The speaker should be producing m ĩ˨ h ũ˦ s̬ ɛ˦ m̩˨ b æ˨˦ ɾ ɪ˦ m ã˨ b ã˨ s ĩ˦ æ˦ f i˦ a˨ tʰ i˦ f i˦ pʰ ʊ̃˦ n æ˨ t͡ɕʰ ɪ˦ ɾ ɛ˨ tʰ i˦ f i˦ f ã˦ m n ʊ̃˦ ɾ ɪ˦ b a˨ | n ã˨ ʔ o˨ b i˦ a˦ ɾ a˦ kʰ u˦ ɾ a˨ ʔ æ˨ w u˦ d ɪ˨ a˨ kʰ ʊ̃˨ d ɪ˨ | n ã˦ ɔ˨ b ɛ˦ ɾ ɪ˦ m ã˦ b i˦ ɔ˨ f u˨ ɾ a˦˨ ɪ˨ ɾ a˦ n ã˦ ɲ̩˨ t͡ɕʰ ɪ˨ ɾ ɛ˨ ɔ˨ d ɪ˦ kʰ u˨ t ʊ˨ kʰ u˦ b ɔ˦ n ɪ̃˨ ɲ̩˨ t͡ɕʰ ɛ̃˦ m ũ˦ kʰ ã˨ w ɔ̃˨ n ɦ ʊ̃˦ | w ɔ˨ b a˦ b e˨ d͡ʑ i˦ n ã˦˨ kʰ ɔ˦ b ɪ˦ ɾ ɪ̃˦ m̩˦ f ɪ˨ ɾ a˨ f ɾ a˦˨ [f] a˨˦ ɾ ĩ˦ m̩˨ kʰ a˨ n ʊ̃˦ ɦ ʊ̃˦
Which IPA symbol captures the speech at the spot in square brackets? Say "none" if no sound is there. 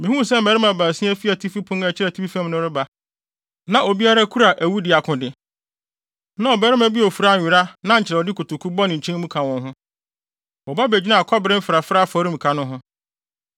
f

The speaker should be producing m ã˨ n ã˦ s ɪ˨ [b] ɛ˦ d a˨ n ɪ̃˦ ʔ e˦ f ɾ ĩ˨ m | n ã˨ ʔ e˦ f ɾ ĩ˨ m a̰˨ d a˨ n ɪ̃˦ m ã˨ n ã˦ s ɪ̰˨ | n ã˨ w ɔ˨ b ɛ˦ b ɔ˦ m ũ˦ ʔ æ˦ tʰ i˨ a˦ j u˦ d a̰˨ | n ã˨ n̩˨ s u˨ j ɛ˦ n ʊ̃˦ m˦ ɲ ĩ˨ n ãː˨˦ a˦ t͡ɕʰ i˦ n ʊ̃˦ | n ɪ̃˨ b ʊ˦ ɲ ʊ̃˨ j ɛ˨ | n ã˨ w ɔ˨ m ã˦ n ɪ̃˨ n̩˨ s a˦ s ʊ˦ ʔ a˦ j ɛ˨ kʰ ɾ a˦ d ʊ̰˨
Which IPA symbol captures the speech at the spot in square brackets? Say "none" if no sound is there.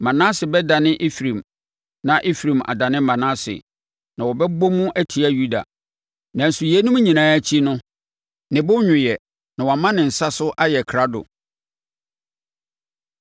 b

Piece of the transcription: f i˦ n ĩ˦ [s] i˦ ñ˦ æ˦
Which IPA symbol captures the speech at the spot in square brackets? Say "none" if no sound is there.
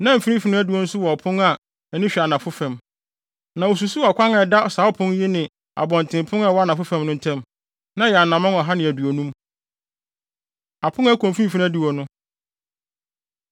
f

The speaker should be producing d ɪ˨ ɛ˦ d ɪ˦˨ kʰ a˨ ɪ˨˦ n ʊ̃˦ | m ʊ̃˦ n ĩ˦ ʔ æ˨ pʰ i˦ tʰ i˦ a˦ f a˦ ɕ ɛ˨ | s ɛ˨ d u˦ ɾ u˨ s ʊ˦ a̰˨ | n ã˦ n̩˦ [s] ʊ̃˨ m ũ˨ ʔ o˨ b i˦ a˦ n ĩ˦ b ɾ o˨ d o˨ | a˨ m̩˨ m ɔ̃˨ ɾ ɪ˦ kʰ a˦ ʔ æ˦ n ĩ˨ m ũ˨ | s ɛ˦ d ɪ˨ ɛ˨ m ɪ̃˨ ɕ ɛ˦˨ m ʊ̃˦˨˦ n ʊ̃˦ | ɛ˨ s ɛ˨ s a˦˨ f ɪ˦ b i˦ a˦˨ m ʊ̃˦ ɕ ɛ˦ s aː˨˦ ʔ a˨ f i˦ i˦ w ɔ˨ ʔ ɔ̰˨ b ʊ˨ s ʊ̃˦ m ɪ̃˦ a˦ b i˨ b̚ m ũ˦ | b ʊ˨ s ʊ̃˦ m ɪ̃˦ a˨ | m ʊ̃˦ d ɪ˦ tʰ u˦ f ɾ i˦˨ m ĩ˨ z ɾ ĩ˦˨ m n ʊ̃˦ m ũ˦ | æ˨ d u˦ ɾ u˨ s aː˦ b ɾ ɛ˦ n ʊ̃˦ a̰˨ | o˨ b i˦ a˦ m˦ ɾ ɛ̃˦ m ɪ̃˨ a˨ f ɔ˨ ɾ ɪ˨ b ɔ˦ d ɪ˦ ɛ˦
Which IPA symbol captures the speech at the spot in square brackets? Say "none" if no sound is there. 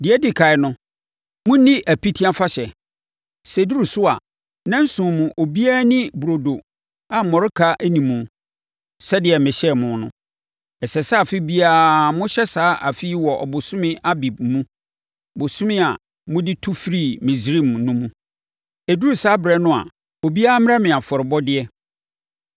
s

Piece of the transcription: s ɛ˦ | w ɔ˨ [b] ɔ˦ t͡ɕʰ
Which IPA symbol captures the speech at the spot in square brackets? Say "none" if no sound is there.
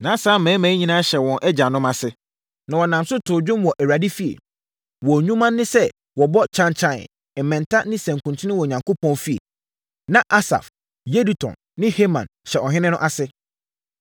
b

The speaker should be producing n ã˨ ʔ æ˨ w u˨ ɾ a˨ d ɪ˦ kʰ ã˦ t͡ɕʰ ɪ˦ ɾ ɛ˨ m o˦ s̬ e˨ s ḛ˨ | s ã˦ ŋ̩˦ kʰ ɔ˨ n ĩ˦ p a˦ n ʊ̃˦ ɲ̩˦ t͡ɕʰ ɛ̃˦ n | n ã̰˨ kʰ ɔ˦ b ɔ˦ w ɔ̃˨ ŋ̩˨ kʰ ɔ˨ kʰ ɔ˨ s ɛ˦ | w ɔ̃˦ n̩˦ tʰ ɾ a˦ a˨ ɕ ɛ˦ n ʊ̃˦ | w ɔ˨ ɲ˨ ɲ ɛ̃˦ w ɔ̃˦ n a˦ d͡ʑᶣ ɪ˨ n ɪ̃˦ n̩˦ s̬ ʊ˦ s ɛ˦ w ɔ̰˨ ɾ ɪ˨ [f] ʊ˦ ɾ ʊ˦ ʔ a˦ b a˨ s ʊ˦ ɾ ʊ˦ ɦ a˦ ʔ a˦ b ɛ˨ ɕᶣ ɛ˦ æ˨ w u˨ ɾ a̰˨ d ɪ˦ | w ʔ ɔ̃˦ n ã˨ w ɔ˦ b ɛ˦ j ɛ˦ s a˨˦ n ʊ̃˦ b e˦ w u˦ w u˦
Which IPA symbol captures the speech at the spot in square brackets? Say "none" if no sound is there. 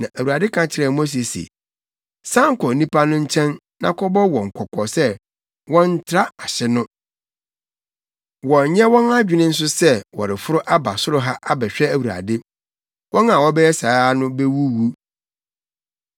f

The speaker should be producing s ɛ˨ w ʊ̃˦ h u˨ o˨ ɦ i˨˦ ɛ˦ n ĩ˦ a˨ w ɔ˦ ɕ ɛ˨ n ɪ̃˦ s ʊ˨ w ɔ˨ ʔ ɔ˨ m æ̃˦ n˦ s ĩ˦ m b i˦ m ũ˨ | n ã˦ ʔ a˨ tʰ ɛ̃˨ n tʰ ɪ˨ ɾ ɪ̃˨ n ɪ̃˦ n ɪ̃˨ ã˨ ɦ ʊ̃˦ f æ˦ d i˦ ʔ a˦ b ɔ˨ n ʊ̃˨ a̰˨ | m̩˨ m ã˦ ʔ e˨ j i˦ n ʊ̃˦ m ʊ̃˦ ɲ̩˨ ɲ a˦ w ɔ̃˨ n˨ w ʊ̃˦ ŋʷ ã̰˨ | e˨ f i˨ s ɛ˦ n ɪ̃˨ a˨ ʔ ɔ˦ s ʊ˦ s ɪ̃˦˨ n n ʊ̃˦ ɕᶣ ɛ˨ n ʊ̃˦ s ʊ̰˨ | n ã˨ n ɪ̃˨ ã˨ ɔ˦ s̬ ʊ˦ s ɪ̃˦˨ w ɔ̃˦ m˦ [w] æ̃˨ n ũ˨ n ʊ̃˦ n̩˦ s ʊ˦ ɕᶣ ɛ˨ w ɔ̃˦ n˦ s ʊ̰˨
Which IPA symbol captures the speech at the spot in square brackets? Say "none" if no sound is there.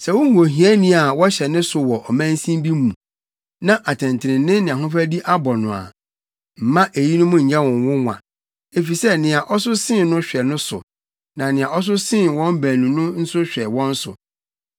b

